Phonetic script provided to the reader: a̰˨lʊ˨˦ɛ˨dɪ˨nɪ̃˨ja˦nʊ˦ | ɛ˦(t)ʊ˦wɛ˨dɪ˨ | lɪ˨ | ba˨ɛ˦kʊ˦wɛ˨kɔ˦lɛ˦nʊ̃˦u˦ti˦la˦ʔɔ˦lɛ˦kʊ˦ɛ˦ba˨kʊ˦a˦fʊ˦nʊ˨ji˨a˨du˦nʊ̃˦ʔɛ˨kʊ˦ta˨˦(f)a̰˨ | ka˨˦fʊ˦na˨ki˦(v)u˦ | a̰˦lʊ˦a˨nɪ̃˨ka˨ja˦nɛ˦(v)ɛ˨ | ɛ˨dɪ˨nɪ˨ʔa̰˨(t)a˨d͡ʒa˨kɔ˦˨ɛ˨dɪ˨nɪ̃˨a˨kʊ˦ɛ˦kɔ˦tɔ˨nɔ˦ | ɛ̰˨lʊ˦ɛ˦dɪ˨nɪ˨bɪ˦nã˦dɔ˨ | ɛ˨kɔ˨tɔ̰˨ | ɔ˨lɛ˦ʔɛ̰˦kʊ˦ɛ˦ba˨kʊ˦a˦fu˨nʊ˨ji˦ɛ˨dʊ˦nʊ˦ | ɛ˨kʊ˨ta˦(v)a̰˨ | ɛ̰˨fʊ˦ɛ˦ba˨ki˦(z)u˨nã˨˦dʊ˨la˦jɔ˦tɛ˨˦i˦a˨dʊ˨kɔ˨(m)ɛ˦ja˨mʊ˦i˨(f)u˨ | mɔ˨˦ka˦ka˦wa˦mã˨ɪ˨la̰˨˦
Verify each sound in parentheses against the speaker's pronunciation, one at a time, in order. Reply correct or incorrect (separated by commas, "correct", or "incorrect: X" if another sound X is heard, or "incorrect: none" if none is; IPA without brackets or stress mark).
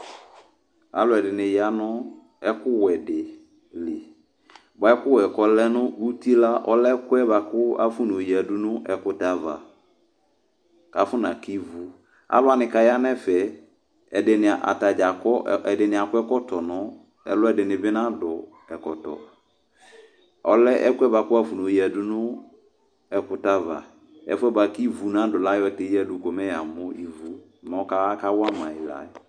incorrect: k, incorrect: v, correct, incorrect: f, correct, correct, incorrect: v, correct, incorrect: v